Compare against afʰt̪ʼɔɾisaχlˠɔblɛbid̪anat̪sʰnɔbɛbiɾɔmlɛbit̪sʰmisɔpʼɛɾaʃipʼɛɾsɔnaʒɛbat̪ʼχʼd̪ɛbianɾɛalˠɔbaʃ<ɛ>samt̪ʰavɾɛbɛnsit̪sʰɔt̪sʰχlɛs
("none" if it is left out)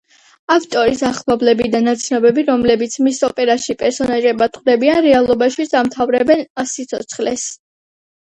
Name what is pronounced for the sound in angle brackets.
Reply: i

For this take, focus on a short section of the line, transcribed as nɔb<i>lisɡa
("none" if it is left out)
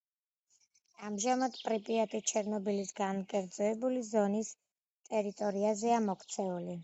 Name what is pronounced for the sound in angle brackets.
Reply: i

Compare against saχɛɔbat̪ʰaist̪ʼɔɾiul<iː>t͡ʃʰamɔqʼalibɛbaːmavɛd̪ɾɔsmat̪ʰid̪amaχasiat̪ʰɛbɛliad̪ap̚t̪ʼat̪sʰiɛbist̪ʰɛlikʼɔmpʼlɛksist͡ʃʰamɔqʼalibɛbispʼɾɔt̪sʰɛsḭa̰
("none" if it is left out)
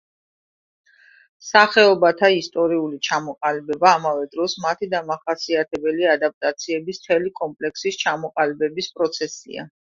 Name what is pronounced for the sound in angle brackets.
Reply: i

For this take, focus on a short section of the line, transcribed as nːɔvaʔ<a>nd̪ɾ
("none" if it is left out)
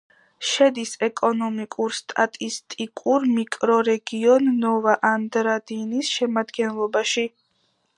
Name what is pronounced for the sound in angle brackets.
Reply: a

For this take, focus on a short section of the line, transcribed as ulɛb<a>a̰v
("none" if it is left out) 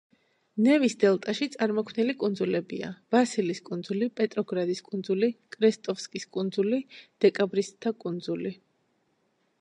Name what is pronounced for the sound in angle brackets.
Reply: i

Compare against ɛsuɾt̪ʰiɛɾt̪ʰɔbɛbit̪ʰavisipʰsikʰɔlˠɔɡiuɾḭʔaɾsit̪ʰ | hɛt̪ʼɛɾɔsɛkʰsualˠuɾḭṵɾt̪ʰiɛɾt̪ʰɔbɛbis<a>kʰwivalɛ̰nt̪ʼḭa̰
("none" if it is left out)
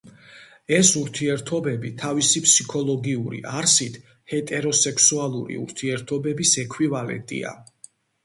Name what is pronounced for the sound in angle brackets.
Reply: ɛ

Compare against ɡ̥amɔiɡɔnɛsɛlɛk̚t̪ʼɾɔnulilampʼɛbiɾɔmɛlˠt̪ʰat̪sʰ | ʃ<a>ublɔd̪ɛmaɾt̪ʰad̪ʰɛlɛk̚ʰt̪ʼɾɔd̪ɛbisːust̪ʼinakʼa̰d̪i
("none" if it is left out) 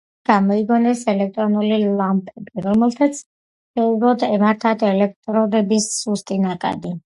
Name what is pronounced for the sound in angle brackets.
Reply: ɛ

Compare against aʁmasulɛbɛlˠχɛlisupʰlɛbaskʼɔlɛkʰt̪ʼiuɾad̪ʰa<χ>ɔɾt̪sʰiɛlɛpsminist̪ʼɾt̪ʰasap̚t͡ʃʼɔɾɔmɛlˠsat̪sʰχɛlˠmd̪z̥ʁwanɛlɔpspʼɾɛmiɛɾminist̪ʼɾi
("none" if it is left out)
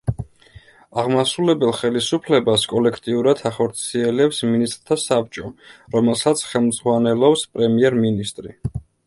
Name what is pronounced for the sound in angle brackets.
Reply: χ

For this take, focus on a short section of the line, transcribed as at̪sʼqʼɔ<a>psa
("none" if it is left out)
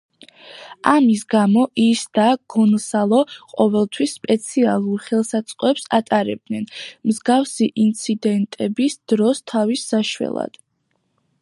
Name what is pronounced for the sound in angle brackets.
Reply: ɛ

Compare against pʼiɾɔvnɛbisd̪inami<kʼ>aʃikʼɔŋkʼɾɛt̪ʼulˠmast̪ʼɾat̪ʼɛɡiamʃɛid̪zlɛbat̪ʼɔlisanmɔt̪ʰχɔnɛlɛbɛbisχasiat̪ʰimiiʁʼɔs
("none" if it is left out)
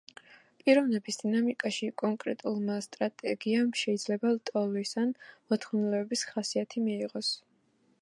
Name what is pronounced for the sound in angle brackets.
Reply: kʼ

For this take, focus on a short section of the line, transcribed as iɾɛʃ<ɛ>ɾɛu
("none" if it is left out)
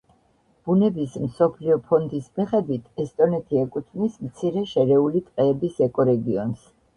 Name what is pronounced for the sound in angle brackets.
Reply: ɛ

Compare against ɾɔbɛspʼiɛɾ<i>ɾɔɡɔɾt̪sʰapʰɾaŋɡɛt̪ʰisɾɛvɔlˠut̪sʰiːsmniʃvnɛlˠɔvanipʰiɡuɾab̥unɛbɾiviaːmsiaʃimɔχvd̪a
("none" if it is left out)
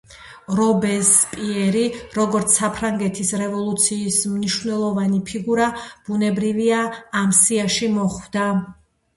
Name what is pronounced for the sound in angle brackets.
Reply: i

